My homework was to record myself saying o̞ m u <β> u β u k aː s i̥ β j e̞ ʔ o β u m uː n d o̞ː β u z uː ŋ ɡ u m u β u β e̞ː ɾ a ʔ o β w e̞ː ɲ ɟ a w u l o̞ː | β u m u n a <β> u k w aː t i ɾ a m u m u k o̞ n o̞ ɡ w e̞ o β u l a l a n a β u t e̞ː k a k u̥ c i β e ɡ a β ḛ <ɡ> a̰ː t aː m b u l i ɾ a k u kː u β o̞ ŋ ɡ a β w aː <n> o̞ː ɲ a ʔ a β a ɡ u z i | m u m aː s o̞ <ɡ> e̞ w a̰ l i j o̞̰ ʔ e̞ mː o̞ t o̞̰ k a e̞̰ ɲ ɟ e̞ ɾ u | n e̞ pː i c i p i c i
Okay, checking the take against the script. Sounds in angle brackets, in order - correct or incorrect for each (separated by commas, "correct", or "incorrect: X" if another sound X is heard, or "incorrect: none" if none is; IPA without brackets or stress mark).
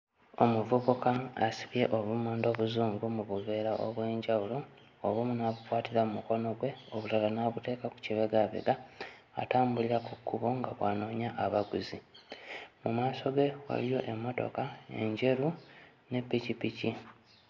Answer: incorrect: v, correct, correct, correct, correct